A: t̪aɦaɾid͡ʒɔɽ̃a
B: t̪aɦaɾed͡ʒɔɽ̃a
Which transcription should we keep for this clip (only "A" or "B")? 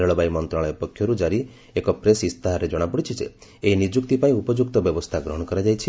B